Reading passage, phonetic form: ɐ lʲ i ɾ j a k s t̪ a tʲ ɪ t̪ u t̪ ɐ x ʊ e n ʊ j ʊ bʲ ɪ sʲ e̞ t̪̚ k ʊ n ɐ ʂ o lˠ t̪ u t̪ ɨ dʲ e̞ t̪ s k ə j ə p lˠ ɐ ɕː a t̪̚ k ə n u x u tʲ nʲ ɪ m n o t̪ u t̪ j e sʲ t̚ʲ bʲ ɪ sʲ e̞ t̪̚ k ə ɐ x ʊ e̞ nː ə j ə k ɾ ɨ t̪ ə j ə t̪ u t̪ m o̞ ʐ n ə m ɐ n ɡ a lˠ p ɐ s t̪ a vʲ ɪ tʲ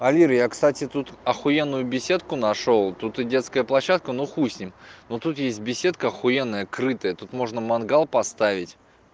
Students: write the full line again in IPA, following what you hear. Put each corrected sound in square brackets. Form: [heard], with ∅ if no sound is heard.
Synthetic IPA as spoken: ɐ lʲ i ɾ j a k s t̪ a tʲ ɪ t̪ u t̪ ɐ x ʊ e [nː] ʊ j ʊ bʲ ɪ sʲ e̞ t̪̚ k ʊ n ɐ ʂ o lˠ t̪ u t̪ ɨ dʲ e̞ t̪ s k ə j ə p lˠ ɐ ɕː a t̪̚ k ə n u x u [sʲ] nʲ ɪ m n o t̪ u t̪ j e sʲ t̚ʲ bʲ ɪ sʲ e̞ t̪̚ k ə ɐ x ʊ e̞ nː ə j ə k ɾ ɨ t̪ ə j ə t̪ u t̪ m o̞ ʐ n ə m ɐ n ɡ a lˠ p ɐ s t̪ a vʲ ɪ tʲ

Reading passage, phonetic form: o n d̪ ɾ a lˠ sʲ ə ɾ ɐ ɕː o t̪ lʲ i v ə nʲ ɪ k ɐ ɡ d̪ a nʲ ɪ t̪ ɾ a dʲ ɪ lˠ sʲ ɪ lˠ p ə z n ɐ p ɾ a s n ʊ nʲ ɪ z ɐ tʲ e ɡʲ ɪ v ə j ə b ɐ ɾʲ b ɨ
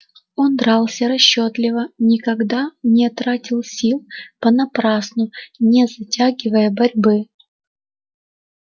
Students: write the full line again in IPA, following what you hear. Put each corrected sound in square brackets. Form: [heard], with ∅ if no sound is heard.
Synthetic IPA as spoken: o n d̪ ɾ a lˠ sʲ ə ɾ ɐ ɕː o t̪ lʲ [ɪ] v ə nʲ ɪ k ɐ ɡ d̪ a nʲ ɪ t̪ ɾ a [tʲ] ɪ lˠ sʲ [i] lˠ p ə [∅] n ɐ p ɾ a s n ʊ nʲ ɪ z ɐ tʲ [a] ɡʲ ɪ v ə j ə b ɐ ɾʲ b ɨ

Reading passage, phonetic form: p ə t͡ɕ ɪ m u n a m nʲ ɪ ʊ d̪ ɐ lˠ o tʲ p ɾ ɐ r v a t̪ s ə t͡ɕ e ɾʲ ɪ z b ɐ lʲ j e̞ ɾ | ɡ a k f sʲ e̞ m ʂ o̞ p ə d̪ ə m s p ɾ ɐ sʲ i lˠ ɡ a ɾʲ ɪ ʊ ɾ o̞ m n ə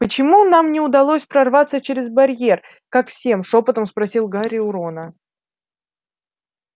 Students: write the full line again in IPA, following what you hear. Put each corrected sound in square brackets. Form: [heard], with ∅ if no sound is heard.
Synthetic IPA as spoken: p ə t͡ɕ ɪ m u n a m nʲ ɪ ʊ d̪ ɐ lˠ o [sʲ] p ɾ ɐ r v a t̪ s ə t͡ɕ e ɾʲ ɪ z b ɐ [ɾʲ] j e̞ [r] | [k] a k f sʲ e̞ m ʂ o̞ p ə [t̪] ə m s p ɾ ɐ sʲ i lˠ ɡ a ɾʲ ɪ ʊ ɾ o̞ [∅] n ə

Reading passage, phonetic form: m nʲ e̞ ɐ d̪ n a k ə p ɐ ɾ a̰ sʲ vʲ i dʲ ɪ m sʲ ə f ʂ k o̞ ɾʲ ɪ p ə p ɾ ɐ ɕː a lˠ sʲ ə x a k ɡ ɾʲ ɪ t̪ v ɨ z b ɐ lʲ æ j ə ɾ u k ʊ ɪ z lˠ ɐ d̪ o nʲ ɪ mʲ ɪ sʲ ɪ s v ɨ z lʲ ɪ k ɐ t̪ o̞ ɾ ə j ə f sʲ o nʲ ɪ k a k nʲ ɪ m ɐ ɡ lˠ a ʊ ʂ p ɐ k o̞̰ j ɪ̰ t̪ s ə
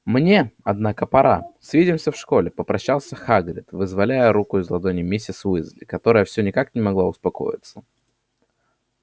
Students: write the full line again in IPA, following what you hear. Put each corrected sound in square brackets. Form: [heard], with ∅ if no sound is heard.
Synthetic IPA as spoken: m nʲ e̞ ɐ d̪ n a k ə p ɐ ɾ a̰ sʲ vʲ i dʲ ɪ m sʲ ə f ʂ k o̞ [lʲ] ɪ p ə p ɾ ɐ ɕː a lˠ sʲ ə x a [∅] ɡ ɾʲ ɪ t̪ v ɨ z [v] ɐ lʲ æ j ə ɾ u k ʊ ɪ z lˠ ɐ d̪ o nʲ ɪ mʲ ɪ sʲ ɪ s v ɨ z lʲ ɪ k ɐ t̪ o̞ ɾ ə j ə f sʲ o nʲ ɪ k a k nʲ ɪ m ɐ ɡ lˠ a ʊ [s] p ɐ k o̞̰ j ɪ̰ t̪ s ə

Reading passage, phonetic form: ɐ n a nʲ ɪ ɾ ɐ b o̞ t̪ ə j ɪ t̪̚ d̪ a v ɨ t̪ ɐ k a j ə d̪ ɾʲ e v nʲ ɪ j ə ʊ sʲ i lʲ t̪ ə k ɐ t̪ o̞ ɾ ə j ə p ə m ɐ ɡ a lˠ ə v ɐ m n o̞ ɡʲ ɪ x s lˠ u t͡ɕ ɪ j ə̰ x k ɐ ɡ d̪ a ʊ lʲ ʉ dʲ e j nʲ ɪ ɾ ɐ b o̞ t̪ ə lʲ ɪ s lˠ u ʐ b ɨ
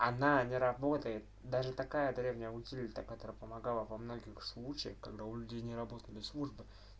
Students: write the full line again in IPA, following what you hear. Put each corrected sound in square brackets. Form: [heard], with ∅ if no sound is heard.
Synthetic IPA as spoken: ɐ n a nʲ ɪ ɾ ɐ b o̞ t̪ ə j ɪ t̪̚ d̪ a [ʐ] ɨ t̪ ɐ k a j ə d̪ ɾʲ e v nʲ ɪ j ə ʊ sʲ i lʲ t̪ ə k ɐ t̪ o̞ ɾ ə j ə p ə m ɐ ɡ a lˠ ə v ɐ m n o̞ ɡʲ ɪ x s lˠ u t͡ɕ ɪ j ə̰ x k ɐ ɡ d̪ a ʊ lʲ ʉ dʲ e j nʲ ɪ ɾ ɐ b o̞ t̪ ə lʲ ɪ s lˠ u ʐ b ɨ

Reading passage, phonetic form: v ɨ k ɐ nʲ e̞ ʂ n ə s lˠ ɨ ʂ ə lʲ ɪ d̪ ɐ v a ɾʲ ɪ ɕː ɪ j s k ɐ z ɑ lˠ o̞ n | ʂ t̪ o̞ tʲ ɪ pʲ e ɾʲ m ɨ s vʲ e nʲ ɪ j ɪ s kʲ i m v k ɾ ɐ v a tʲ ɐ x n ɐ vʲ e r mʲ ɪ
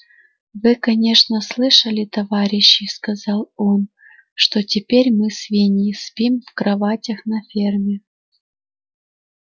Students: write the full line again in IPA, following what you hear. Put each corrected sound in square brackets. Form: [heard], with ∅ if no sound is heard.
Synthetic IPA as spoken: v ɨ k ɐ nʲ e̞ ʂ n ə s lˠ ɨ ʂ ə lʲ ɪ [t̪] ɐ v a ɾʲ ɪ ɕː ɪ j s k ɐ z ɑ lˠ o̞ n | ʂ t̪ o̞ tʲ ɪ pʲ e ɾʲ m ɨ s vʲ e nʲ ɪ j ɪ s [pʲ] i m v k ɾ ɐ v a tʲ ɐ x n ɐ [fʲ] e r mʲ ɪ

